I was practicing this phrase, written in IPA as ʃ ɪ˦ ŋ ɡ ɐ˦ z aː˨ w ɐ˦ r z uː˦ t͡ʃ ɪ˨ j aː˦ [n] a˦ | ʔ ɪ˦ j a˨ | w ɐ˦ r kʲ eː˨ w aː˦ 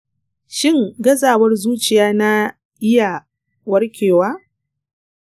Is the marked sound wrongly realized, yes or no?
no